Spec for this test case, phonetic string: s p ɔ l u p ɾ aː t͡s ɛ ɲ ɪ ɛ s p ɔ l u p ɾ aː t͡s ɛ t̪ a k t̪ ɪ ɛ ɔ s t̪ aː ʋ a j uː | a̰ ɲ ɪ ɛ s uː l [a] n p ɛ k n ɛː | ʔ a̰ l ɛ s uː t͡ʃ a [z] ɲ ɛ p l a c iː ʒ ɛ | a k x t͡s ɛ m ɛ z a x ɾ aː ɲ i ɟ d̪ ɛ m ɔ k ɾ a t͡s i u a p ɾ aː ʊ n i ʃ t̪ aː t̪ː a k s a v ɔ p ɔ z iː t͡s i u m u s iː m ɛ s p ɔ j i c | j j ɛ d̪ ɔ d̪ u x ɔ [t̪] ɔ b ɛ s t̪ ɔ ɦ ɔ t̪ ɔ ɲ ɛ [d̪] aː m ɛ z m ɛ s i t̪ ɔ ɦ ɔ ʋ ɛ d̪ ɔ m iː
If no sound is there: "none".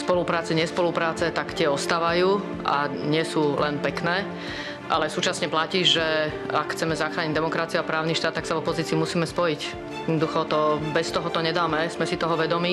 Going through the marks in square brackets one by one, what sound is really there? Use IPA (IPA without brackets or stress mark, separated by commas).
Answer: ɛ, s, t̪, d̪